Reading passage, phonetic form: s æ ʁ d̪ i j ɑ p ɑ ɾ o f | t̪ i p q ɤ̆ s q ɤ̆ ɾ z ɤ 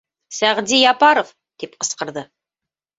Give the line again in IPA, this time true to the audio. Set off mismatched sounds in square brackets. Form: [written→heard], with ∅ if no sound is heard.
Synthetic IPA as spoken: s æ ʁ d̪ i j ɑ p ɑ ɾ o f | t̪ i p q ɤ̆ s q ɤ̆ ɾ [z→ð] ɤ

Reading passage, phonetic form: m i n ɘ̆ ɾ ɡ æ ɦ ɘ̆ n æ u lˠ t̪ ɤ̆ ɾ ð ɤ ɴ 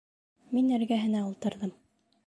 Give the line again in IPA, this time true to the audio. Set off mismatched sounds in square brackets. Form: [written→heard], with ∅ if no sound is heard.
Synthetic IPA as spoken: m i n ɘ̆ ɾ ɡ æ ɦ ɘ̆ n æ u lˠ t̪ ɤ̆ ɾ ð ɤ [ɴ→m]

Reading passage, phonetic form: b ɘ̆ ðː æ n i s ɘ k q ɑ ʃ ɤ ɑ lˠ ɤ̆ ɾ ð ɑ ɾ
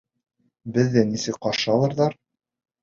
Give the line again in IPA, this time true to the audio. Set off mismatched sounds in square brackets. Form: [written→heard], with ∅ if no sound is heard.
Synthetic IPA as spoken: b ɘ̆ ðː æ n i s ɘ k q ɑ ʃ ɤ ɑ lˠ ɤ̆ ɾ ð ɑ ɾ

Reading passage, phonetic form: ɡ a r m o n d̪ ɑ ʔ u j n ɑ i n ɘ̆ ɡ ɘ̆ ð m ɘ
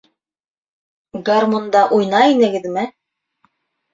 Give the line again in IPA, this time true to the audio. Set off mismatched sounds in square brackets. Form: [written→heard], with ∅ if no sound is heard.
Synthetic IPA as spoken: ɡ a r m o n d̪ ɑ ʔ u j n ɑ i n ɘ̆ ɡ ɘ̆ ð m ɘ

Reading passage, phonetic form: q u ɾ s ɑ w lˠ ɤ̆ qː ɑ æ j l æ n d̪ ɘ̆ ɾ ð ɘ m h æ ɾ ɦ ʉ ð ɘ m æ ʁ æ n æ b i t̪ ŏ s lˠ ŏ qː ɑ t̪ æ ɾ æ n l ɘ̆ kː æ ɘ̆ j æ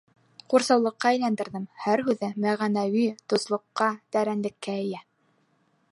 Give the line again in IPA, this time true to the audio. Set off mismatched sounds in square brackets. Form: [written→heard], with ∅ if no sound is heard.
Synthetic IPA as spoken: q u ɾ s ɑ w lˠ ɤ̆ qː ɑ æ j l æ n d̪ ɘ̆ ɾ ð ɘ m h æ ɾ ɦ ʉ ð ɘ m æ ʁ æ n æ [b→w] i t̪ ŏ s lˠ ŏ qː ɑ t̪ æ ɾ æ n l ɘ̆ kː æ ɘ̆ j æ

